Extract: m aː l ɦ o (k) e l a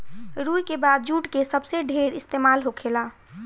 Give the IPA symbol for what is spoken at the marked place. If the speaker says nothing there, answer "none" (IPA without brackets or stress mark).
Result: kʰ